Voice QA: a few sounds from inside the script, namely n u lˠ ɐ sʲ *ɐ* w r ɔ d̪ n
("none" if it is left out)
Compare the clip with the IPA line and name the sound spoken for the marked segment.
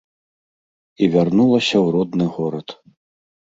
ɐ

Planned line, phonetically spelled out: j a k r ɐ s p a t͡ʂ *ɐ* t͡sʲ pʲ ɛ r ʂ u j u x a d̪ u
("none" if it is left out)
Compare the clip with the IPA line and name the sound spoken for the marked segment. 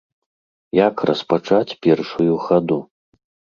a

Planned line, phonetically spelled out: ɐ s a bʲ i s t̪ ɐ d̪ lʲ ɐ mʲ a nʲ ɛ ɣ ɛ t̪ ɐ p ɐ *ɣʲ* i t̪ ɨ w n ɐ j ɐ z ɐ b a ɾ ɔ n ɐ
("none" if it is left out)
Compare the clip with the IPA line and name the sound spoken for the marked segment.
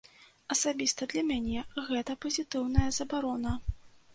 zʲ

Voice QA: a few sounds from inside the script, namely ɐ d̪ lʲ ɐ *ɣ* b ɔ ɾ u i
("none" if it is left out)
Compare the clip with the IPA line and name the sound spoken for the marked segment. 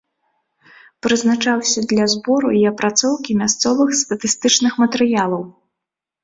z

